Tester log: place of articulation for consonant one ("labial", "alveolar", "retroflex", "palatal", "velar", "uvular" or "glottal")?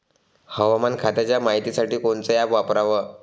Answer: glottal